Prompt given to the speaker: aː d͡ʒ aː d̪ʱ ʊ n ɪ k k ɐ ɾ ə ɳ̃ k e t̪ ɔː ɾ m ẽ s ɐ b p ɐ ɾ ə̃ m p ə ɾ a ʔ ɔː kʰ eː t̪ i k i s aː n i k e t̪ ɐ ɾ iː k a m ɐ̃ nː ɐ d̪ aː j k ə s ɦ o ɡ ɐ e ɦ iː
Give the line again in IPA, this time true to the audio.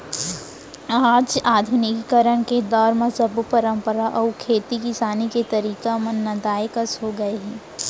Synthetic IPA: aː d͡ʒ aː d̪ʱ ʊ n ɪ k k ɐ ɾ ə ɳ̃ k e d̪ ɔː ɾ m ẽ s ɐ b p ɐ ɾ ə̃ m p ə ɾ a ʔ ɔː kʰ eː t̪ i k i s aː n i k e t̪ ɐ ɾ iː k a m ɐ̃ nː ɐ d̪ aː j k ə s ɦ o ɡ ɐ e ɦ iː

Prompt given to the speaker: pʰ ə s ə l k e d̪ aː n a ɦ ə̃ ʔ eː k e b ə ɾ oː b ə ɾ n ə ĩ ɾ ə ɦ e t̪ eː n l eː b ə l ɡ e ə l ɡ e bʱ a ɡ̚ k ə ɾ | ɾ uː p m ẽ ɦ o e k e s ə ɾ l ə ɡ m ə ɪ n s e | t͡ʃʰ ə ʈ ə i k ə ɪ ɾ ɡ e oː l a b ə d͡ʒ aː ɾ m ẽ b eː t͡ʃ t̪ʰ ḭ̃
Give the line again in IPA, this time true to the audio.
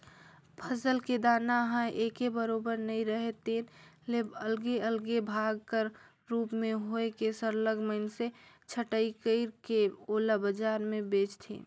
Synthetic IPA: pʰ ə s ə l k e d̪ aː n a ɦ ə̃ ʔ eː k e b ə ɾ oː b ə ɾ n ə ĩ ɾ ə ɦ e t̪ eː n l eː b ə l ɡ e ə l ɡ e bʱ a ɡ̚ k ə ɾ | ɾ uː p m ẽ ɦ o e k e s ə ɾ l ə ɡ m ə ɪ n s e | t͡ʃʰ ə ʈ ə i k ə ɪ ɾ k e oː l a b ə d͡ʒ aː ɾ m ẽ b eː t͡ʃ t̪ʰ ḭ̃

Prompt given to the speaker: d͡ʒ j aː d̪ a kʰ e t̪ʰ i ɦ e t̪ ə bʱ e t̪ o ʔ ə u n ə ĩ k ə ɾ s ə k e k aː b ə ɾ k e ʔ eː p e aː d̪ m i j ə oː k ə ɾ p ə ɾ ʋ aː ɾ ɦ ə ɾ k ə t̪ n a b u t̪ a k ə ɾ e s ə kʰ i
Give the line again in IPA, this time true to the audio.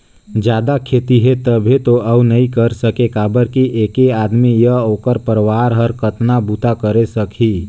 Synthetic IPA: d͡ʒ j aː d̪ a kʰ e t̪ i ɦ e t̪ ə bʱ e t̪ o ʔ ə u n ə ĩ k ə ɾ s ə k e k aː b ə ɾ k i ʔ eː k e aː d̪ m i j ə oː k ə ɾ p ə ɾ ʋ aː ɾ ɦ ə ɾ k ə t̪ n a b u t̪ a k ə ɾ e s ə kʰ i

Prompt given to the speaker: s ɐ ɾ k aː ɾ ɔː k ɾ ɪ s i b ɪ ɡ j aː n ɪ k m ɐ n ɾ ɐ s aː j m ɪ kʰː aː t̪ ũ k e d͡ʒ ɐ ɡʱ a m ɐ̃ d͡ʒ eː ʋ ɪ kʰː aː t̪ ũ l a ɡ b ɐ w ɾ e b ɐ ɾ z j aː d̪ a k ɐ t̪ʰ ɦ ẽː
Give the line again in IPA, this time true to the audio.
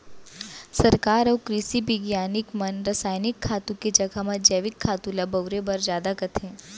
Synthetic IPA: s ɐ ɾ k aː ɾ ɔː k ɾ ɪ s i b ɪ ɡ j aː n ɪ k m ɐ n ɾ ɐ s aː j n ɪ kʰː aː t̪ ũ k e d͡ʒ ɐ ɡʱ a m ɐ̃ d͡ʒ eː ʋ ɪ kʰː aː t̪ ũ l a b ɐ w ɾ e b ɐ ɾ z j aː d̪ a k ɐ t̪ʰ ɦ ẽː

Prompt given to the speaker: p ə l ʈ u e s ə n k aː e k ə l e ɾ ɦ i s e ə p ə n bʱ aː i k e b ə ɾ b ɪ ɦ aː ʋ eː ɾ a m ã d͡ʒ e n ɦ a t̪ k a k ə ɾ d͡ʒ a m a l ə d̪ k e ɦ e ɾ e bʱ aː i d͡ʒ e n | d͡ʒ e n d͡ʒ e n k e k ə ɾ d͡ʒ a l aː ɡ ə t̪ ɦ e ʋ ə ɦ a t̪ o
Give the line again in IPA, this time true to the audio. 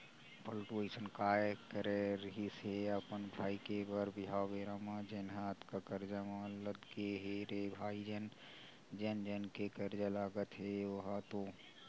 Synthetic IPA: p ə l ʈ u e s ə n k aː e k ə ɾ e ɾ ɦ i s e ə p ə n bʱ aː i k e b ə ɾ b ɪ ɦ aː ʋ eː ɾ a m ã d͡ʒ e n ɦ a t̪ k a k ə ɾ d͡ʒ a m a l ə d̪ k e ɦ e ɾ e bʱ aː i d͡ʒ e n | d͡ʒ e n d͡ʒ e n k e k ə ɾ d͡ʒ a l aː ɡ ə t̪ ɦ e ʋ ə ɦ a t̪ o

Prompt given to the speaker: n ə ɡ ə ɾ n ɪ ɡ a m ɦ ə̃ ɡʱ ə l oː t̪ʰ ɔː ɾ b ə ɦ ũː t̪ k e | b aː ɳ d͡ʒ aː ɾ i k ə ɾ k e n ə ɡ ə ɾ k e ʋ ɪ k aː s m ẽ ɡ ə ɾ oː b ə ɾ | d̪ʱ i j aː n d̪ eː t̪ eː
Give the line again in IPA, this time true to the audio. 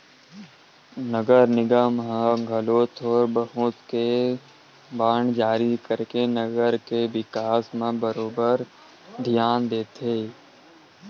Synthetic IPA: n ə ɡ ə ɾ n ɪ ɡ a m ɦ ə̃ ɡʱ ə l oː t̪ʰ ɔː ɾ b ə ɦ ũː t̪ k e | b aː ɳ d͡ʒ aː ɾ i k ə ɾ k e n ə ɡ ə ɾ k e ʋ ɪ k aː s m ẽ b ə ɾ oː b ə ɾ | d̪ʱ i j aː n d̪ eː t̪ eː

